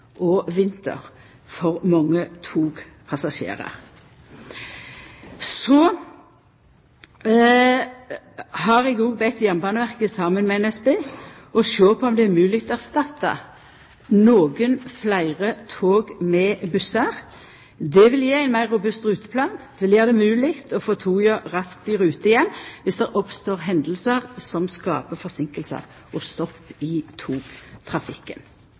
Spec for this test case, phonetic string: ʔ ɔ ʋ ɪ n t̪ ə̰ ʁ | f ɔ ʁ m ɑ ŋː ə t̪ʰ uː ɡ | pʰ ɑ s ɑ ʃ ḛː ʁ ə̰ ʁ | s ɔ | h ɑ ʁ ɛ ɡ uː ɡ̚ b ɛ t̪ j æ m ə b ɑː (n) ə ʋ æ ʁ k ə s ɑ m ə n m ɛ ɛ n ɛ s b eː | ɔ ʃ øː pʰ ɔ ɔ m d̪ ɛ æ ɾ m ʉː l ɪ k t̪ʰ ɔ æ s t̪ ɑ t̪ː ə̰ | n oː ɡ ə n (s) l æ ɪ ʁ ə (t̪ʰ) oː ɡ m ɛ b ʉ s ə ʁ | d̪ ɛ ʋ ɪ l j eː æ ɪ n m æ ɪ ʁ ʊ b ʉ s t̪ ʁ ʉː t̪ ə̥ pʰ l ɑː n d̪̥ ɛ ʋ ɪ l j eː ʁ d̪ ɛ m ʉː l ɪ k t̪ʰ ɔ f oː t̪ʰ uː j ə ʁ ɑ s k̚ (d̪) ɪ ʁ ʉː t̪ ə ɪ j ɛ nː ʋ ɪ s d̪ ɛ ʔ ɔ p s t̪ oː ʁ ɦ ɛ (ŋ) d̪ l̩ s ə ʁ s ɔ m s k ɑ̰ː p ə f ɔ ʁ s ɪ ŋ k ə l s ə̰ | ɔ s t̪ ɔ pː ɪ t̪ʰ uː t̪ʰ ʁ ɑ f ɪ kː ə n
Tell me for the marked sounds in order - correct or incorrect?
correct, incorrect: f, correct, incorrect: t̪, incorrect: n

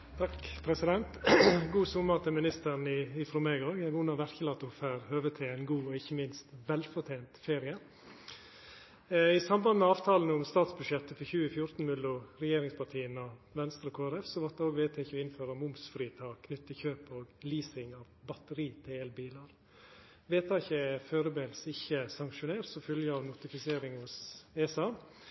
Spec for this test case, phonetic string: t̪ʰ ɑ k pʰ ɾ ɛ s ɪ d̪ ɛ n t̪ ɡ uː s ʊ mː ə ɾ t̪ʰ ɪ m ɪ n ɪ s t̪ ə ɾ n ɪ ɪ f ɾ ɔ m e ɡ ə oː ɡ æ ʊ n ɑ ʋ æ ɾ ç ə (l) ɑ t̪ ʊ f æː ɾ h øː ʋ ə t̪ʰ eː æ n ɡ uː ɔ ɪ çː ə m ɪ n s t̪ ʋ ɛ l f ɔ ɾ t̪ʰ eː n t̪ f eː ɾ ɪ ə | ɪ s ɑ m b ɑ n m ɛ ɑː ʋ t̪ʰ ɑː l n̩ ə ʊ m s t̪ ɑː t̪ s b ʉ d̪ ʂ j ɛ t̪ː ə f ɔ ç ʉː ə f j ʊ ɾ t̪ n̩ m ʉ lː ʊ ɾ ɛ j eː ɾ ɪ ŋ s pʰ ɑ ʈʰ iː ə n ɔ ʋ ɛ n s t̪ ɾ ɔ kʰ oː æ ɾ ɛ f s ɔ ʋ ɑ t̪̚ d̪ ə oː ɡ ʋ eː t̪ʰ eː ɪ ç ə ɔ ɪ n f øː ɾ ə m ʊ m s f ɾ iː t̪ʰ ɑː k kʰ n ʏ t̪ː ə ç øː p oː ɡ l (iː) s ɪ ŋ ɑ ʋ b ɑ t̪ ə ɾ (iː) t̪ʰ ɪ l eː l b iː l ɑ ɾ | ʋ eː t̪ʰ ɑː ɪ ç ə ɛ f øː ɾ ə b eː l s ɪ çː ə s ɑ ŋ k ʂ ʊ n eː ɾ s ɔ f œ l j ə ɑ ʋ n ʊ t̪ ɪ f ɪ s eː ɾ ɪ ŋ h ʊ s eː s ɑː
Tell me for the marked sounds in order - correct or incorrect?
correct, correct, correct

